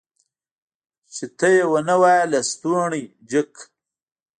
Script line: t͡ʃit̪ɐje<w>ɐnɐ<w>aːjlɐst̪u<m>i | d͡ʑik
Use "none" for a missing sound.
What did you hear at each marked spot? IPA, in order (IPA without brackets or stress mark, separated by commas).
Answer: w, w, ɳ